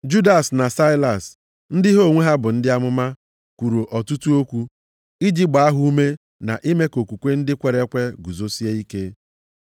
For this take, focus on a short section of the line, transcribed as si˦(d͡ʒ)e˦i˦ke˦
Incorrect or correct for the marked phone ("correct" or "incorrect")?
incorrect